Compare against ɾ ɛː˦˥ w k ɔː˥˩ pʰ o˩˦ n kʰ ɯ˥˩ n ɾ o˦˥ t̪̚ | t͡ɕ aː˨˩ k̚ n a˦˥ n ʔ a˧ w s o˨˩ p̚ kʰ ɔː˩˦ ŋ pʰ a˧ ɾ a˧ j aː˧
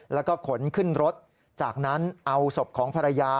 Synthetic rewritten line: l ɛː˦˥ w k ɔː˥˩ kʰ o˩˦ n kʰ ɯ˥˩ n ɾ o˦˥ t̪̚ | t͡ɕ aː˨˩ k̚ n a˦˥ n ʔ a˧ w s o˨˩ p̚ kʰ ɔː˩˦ ŋ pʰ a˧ ɾ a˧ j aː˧